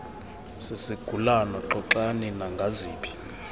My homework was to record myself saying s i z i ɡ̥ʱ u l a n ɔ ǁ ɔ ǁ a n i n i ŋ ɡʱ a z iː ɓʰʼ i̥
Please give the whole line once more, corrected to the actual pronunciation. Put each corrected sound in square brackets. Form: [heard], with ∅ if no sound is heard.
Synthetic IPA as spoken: s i [s] i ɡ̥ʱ u l a n ɔ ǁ ɔ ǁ a n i n [a] ŋ ɡʱ a z iː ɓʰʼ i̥